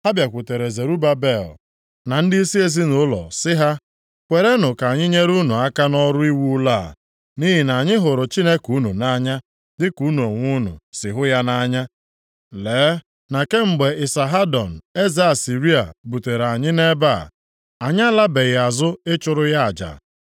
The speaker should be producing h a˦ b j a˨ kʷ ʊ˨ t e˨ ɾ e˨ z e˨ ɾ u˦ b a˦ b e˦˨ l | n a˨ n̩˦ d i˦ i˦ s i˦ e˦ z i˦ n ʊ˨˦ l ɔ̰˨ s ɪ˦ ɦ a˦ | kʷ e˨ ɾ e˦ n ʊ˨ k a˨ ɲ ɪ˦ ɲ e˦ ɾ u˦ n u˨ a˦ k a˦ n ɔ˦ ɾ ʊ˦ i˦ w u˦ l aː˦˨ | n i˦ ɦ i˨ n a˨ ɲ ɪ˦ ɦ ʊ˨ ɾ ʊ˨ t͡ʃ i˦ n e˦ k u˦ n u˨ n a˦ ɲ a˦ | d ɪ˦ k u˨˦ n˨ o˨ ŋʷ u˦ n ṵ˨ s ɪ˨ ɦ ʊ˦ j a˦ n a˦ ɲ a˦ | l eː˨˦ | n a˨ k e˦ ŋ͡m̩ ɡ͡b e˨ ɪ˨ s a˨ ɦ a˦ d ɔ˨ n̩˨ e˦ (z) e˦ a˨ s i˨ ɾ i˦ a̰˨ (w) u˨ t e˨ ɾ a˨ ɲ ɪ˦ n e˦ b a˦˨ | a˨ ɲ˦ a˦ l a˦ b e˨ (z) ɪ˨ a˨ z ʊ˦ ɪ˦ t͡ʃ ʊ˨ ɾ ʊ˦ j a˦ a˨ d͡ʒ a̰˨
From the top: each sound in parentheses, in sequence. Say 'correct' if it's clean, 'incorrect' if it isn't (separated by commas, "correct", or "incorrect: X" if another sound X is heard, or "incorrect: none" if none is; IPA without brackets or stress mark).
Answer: correct, incorrect: b, incorrect: ɣ